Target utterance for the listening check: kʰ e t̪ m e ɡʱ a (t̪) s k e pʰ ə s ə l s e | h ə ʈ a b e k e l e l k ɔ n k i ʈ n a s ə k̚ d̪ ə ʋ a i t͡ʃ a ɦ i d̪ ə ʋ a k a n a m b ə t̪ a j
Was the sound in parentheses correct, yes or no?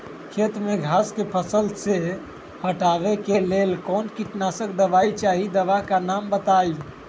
no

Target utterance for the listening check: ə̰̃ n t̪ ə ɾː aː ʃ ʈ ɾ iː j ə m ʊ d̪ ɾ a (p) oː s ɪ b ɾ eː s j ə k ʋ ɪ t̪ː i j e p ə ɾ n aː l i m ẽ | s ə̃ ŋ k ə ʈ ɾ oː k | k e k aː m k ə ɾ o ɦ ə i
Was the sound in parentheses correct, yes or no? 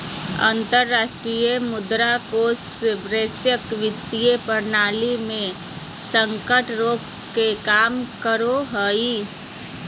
no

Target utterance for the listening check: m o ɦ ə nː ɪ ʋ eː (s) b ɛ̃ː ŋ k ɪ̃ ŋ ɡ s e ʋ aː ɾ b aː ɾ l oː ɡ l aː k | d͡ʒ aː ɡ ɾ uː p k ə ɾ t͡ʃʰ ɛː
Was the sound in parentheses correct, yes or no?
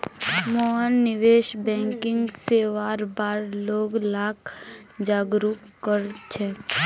no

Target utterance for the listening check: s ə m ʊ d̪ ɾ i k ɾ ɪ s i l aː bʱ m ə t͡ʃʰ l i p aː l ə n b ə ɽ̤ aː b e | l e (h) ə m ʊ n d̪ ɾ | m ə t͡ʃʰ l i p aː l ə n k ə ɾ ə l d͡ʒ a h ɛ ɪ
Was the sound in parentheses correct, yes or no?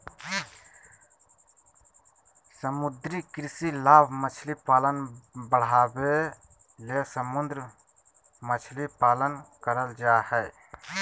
no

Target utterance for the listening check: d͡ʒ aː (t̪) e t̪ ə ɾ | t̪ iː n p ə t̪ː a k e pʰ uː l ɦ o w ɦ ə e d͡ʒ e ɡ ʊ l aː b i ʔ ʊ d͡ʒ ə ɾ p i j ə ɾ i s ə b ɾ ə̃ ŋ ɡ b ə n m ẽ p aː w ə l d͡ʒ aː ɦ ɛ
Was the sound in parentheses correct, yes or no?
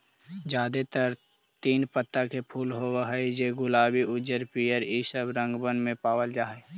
no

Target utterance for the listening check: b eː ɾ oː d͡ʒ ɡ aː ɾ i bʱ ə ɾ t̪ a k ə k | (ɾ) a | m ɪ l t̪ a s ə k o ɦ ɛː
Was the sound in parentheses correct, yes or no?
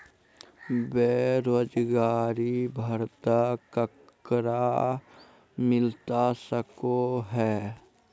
yes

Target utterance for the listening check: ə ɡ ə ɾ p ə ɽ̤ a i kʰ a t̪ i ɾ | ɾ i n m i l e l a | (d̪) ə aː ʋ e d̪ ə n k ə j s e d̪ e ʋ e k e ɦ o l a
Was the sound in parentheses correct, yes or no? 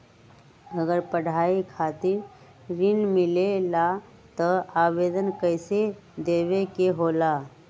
no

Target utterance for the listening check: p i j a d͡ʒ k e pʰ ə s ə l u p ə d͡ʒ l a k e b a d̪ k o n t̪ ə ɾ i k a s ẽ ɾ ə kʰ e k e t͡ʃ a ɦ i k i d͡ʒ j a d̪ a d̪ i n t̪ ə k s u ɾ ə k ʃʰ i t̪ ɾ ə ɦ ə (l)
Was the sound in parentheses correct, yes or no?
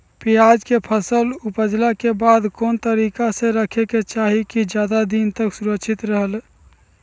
yes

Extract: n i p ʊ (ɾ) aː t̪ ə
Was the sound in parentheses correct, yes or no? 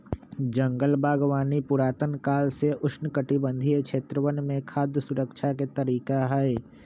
yes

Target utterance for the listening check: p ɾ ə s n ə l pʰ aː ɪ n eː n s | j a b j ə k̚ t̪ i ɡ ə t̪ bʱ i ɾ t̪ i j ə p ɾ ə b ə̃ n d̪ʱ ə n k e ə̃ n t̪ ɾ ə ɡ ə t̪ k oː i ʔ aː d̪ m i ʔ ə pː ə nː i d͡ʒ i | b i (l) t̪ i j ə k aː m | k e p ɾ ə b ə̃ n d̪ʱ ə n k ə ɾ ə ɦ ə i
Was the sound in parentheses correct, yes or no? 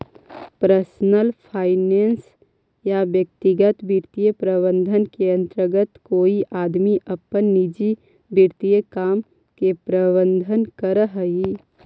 no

